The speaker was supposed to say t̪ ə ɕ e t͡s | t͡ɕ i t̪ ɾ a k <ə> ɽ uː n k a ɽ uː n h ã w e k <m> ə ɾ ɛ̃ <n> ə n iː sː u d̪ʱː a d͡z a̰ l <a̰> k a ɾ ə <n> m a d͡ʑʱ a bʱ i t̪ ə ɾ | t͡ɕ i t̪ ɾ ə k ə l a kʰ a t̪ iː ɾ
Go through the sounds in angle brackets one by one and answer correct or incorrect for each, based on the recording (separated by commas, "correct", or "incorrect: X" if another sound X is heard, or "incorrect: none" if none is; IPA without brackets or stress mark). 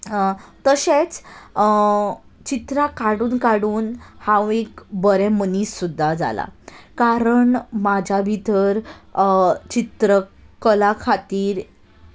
incorrect: a, incorrect: b, incorrect: m, correct, incorrect: ɳ